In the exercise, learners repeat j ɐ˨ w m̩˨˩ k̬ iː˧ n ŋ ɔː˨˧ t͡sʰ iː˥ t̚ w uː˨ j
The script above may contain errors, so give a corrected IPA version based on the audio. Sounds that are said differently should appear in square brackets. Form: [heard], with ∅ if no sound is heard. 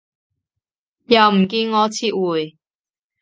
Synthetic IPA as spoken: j ɐ˨ w m̩˨˩ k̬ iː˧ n ŋ ɔː˨˧ t͡sʰ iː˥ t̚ w uː˨ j